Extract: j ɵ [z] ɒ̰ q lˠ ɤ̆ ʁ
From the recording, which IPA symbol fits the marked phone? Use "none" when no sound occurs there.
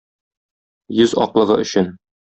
z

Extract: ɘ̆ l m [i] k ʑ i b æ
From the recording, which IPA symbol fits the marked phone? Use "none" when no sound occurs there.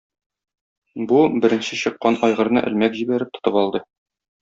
æ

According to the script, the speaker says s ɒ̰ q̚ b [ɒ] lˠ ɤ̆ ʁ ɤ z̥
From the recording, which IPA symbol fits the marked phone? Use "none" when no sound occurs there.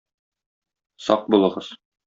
u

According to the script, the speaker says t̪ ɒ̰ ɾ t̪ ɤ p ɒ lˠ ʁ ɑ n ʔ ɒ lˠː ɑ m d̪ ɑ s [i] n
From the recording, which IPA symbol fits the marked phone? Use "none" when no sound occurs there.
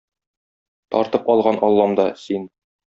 i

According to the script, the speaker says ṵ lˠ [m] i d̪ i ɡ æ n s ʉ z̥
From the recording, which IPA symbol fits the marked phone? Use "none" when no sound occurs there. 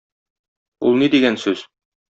n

